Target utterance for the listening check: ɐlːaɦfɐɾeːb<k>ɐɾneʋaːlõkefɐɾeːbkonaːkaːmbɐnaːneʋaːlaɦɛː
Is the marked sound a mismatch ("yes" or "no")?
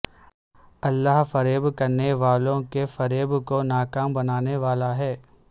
no